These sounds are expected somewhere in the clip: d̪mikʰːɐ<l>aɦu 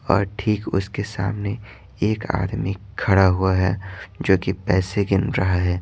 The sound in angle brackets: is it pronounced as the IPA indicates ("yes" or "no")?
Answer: no